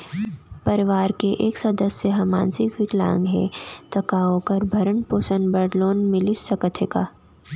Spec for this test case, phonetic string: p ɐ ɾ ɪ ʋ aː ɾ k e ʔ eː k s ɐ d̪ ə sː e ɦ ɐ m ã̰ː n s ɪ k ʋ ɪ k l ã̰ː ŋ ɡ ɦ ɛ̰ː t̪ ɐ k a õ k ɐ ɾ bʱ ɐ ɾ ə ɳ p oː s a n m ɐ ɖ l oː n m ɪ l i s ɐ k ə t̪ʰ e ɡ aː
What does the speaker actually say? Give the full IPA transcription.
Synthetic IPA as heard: p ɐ ɾ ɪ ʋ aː ɾ k e ʔ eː k s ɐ d̪ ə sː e ɦ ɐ m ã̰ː n s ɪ k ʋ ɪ k l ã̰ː ŋ ɡ ɦ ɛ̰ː t̪ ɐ k a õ k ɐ ɾ bʱ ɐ ɾ ə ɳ p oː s ə n b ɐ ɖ l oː n m ɪ l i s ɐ k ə t̪ʰ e k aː